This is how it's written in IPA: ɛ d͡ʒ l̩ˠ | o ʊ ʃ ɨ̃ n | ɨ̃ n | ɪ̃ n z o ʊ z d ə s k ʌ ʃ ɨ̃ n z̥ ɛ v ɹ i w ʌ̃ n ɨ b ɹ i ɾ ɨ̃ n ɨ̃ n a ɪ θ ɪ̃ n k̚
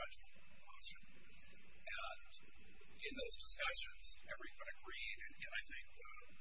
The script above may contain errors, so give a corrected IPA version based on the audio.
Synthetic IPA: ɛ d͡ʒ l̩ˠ | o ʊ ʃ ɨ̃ n | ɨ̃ n | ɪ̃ n ð o ʊ z d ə s k ʌ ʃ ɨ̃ n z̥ ɛ v ɹ i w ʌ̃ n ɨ ɡ ɹ i ɾ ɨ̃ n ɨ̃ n a ɪ θ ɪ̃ ŋ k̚